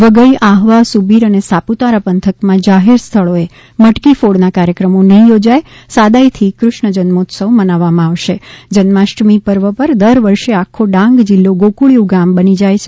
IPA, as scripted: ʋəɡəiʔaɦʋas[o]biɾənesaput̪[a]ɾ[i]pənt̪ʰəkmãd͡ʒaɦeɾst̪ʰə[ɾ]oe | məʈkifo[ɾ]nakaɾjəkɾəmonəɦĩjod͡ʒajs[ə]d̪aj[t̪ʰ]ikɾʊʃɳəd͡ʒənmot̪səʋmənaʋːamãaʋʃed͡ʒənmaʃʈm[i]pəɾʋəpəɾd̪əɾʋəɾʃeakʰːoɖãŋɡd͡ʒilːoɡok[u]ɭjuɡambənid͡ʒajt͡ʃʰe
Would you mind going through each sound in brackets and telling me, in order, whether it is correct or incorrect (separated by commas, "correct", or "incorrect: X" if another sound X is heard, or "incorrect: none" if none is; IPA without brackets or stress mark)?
incorrect: u, correct, incorrect: a, incorrect: ɭ, incorrect: ɽ, incorrect: a, correct, correct, correct